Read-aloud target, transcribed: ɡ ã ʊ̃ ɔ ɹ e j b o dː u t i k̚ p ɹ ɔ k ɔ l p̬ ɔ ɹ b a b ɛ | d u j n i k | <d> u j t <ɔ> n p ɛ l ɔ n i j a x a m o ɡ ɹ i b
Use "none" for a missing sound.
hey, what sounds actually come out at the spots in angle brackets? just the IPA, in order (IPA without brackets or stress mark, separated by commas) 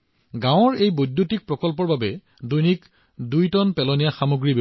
d, ɔ